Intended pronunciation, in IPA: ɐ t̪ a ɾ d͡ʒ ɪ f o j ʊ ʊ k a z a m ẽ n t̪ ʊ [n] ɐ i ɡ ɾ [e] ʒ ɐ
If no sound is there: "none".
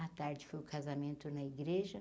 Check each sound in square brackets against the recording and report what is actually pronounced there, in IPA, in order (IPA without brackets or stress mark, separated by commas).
n, e